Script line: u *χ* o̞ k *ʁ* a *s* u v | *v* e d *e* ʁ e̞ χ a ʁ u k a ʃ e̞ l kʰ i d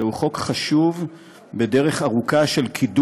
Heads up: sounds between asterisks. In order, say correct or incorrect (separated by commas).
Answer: correct, incorrect, incorrect, incorrect, correct